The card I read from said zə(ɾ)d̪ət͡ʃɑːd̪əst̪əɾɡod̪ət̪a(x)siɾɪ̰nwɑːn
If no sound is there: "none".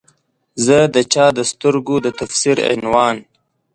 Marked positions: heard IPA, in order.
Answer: none, f

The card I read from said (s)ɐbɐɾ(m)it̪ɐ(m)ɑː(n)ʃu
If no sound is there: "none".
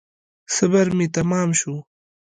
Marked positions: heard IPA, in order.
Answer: s, m, m, m

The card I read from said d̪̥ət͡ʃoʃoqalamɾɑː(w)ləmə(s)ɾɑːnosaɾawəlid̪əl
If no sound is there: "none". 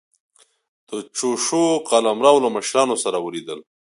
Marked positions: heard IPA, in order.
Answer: w, ʃ

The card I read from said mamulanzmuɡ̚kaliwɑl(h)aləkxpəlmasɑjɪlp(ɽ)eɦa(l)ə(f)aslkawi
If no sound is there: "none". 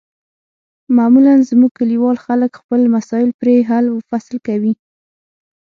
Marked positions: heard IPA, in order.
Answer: x, ɾ, l, f

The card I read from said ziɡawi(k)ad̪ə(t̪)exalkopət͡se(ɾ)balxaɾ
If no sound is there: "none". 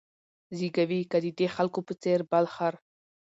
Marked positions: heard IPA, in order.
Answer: k, d̪, ɾ

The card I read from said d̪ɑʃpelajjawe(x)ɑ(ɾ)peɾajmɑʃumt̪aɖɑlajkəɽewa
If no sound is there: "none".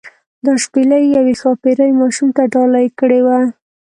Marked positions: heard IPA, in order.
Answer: x, none

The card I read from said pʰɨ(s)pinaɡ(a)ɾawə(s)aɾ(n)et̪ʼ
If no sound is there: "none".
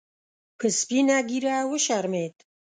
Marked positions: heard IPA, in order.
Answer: s, i, ʃ, m

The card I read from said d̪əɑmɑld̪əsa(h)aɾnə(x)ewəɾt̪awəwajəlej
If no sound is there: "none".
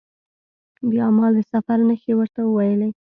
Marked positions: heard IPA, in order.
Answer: f, x

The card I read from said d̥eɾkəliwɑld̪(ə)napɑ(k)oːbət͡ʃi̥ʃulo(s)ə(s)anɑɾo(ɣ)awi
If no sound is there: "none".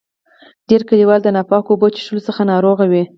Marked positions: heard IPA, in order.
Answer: ə, k, s, x, ɣ

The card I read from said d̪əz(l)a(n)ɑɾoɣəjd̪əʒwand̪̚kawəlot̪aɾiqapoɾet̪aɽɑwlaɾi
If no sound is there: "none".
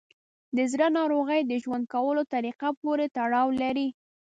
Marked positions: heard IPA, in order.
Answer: ɾ, n

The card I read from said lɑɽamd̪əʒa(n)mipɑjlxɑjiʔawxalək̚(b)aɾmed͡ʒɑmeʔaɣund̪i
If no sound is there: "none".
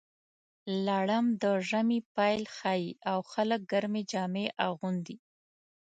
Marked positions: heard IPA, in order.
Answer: none, ɡ

